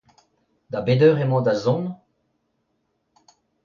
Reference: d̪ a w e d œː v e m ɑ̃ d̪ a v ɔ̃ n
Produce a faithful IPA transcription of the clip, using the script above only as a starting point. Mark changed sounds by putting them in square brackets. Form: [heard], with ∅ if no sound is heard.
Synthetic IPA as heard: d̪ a [b] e d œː [ʁ] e m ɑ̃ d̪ a [z] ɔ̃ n